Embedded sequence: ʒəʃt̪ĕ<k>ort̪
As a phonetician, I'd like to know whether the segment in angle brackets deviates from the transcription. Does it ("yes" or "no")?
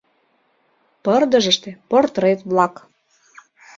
yes